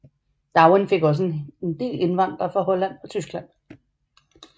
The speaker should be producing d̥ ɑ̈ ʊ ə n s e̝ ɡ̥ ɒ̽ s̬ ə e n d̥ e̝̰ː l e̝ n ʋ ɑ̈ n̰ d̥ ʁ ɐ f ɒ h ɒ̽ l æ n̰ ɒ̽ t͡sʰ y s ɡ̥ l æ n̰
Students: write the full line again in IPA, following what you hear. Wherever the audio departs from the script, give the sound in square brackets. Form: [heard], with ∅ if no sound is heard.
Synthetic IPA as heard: d̥ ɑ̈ ʊ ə n [f] e̝ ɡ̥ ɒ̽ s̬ ə e n d̥ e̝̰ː l e̝ n ʋ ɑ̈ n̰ d̥ ʁ ɐ f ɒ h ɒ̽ l æ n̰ ɒ̽ t͡sʰ y s ɡ̥ l æ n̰